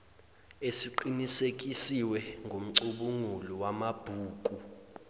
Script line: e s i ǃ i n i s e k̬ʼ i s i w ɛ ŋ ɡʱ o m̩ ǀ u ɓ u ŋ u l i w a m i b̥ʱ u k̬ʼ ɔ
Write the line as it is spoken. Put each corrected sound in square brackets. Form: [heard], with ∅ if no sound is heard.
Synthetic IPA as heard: e s i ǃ i n i s e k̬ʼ i s i w ɛ ŋ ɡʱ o m̩ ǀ u ɓ u ŋ u l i w a m [a] b̥ʱ [uː] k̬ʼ [u]